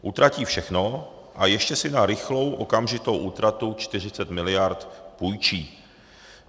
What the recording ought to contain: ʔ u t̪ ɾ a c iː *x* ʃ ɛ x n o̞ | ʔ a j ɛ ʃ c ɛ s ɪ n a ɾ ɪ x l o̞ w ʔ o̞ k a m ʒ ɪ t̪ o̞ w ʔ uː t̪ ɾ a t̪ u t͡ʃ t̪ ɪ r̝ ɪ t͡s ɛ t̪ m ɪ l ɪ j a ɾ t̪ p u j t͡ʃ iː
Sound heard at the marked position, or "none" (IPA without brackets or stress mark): f